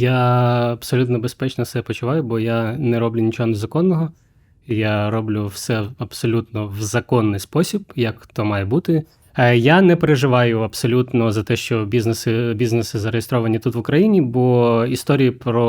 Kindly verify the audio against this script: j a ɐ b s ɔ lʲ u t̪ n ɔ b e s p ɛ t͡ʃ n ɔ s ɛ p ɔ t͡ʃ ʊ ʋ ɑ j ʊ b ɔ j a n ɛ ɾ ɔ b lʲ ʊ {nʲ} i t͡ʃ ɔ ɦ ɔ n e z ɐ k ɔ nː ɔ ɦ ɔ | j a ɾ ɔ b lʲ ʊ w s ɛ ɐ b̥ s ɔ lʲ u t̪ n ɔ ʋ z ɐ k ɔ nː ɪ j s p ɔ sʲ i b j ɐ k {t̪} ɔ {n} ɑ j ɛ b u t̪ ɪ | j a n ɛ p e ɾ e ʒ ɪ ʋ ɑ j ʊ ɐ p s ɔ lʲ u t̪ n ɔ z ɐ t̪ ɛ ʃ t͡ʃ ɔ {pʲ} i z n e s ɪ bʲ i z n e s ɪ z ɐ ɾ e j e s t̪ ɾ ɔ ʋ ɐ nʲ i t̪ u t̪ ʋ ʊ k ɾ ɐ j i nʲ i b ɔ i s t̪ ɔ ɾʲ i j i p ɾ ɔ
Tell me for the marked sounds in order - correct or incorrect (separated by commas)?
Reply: correct, correct, incorrect, incorrect